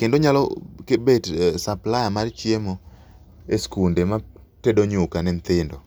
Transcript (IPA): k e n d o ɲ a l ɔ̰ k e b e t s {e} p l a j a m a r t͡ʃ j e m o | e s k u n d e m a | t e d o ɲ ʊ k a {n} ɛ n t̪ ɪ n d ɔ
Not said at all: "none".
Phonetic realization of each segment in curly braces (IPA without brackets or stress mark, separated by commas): a, n